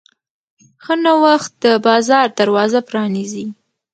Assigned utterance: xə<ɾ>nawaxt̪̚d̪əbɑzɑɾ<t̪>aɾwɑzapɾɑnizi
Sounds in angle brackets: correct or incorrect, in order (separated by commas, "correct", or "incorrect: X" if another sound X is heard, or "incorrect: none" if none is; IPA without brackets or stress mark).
incorrect: none, incorrect: d̪